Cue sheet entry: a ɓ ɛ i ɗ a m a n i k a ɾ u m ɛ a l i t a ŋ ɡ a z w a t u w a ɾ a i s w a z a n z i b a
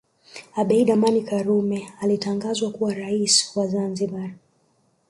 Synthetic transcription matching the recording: a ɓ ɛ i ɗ a m a n i k a ɾ u m ɛ a l i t a ŋ ɡ a z w a k u w a ɾ a i s w a z a n z i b a